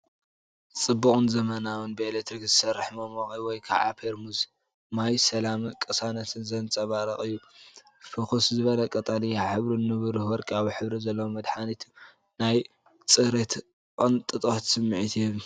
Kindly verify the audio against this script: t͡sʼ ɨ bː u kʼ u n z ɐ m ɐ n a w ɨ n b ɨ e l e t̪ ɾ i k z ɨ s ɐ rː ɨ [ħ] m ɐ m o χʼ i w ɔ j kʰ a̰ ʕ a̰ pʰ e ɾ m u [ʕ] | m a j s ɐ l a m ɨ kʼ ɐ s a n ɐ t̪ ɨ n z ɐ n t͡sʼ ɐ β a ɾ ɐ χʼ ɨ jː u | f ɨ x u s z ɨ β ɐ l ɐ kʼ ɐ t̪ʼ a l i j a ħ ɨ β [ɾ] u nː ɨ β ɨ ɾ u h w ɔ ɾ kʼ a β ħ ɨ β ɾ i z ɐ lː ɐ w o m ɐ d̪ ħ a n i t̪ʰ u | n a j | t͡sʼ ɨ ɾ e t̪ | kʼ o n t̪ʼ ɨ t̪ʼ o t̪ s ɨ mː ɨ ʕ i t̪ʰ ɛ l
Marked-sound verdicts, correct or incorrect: correct, incorrect, correct

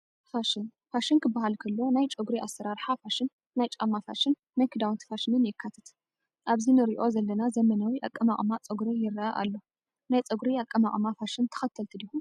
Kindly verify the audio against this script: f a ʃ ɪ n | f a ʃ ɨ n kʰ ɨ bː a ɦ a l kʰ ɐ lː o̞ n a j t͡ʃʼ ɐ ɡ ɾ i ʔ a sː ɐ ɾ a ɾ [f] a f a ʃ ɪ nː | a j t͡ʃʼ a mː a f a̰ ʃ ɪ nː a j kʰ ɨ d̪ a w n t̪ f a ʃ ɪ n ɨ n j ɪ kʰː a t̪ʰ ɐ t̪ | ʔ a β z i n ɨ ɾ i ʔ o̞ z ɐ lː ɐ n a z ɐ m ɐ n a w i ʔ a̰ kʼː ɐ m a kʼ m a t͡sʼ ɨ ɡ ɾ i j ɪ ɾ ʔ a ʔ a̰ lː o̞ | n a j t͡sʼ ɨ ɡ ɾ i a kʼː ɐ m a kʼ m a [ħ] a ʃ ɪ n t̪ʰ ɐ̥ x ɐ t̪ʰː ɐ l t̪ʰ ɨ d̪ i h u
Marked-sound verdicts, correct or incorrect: incorrect, incorrect

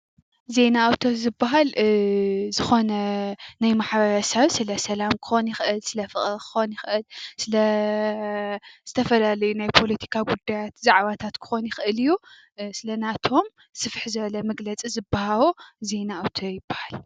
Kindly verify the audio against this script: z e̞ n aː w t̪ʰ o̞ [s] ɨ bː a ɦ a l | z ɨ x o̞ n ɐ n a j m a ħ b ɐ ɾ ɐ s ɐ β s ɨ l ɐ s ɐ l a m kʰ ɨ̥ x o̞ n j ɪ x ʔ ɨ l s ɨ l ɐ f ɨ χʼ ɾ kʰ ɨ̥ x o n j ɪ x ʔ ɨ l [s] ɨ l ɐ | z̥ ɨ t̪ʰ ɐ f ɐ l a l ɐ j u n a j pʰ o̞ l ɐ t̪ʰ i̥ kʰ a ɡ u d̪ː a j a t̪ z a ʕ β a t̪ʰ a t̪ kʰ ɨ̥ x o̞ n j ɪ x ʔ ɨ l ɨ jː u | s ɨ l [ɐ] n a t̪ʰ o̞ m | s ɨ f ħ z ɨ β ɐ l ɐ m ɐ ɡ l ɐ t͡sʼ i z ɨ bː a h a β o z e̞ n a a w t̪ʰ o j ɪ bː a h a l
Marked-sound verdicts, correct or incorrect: incorrect, correct, correct

